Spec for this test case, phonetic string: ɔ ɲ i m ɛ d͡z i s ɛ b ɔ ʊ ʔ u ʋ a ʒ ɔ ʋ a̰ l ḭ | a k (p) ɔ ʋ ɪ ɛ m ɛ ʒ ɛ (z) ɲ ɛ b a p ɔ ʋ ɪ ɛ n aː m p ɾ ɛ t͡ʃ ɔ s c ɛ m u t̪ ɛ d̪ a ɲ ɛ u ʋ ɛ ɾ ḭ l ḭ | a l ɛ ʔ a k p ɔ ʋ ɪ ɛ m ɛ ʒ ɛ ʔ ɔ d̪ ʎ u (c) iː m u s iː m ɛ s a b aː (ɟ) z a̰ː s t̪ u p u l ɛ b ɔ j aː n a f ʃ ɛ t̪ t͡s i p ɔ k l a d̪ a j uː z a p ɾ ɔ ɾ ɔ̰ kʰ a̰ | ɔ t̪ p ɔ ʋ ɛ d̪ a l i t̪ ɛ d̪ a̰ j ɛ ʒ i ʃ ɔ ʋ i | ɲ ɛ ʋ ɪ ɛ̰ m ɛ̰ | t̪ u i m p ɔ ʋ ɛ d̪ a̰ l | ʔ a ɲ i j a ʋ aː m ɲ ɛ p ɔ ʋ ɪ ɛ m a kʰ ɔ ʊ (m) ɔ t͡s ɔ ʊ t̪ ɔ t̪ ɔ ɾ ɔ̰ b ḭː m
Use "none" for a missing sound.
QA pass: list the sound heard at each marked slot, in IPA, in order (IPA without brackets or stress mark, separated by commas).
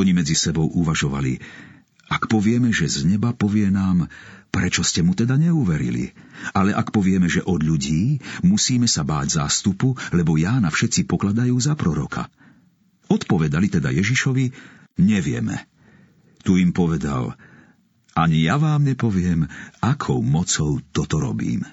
p, z, ɟ, ɟ, m